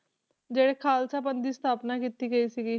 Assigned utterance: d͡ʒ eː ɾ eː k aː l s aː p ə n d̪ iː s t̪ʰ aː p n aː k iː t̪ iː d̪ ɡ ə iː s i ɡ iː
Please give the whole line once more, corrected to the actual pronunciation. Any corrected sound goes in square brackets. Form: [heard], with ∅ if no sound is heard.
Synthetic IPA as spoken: d͡ʒ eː [ɽ] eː [kʰ] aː l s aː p ə n d̪ iː s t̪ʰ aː p n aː k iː t̪ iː [∅] ɡ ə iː s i ɡ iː